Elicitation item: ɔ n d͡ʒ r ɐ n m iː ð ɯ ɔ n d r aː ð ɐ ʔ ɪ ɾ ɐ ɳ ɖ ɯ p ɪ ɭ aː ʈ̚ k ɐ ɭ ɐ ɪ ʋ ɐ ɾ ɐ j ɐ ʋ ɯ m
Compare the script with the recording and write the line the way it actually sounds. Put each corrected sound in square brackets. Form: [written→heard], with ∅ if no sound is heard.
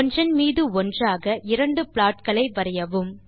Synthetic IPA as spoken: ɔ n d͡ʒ r ɐ n m iː ð ɯ ɔ n d r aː [ð→ɣ] ɐ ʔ ɪ ɾ ɐ ɳ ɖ ɯ p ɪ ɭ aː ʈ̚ k ɐ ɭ ɐ ɪ ʋ ɐ ɾ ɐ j ɐ ʋ ɯ m